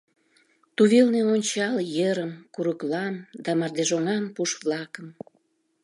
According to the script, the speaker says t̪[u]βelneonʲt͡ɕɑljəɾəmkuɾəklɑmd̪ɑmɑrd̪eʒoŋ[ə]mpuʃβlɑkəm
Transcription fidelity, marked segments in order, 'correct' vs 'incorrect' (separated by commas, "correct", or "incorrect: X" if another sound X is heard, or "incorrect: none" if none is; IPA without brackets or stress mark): correct, incorrect: ɑ